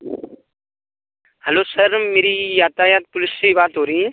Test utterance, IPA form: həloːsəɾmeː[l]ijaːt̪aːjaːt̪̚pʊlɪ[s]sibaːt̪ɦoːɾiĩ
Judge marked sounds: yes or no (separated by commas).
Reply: no, yes